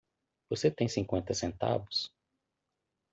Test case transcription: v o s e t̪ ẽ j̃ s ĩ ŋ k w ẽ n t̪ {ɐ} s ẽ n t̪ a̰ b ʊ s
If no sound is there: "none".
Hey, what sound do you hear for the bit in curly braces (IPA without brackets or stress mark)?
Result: ɐ